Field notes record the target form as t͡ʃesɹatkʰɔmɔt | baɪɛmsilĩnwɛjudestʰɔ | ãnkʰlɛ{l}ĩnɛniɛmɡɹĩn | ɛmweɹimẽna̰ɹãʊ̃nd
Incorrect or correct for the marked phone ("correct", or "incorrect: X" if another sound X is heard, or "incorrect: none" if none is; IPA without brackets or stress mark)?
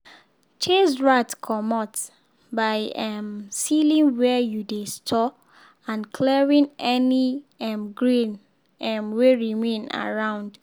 incorrect: ɹ